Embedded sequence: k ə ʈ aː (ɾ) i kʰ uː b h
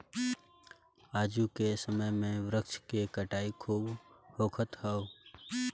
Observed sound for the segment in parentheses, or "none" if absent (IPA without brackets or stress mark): none